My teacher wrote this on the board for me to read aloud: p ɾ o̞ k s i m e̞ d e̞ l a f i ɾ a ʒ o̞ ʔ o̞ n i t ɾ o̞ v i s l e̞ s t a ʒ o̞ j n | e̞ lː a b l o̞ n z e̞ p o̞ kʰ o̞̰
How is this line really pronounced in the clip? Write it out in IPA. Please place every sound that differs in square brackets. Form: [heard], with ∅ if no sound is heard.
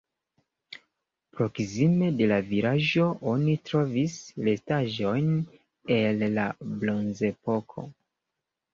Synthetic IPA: p ɾ o̞ k s i m e̞ d e̞ l a [v] i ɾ a ʒ o̞ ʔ o̞ n i t ɾ o̞ v i s l e̞ s t a ʒ o̞ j n | e̞ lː a b l o̞ n z e̞ p o̞ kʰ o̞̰